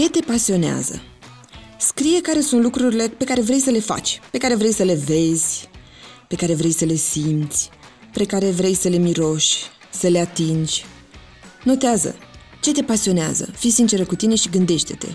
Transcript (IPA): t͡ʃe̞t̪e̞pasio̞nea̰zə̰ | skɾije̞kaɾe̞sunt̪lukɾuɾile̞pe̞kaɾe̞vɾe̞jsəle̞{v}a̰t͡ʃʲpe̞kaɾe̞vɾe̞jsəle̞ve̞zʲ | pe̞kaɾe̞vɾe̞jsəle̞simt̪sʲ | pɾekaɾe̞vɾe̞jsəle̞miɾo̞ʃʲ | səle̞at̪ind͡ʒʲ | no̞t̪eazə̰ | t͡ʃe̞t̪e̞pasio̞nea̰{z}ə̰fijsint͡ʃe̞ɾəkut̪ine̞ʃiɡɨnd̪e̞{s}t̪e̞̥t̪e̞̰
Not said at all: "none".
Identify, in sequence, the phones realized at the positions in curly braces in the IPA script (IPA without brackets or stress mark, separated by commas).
f, z, ʃ